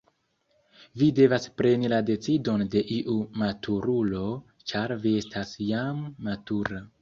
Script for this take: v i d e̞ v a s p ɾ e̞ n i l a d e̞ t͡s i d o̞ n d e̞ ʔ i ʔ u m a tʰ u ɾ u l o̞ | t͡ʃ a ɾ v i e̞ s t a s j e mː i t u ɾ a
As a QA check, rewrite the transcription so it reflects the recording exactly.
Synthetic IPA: v i d e̞ v a s p ɾ e̞ n i l a d e̞ t͡s i d o̞ n d e̞ ʔ i ʔ u m a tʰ u ɾ u l o̞ | t͡ʃ a ɾ v i e̞ s t a s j a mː a t u ɾ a